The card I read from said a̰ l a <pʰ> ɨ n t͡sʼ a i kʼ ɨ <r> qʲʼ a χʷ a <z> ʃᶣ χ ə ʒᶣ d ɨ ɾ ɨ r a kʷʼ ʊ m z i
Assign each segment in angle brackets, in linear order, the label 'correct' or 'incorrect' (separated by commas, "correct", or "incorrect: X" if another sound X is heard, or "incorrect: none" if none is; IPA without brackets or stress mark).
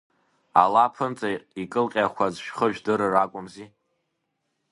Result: correct, incorrect: l, correct